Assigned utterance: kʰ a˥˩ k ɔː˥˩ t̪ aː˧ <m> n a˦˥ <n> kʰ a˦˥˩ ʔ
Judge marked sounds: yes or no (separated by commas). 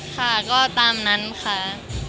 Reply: yes, yes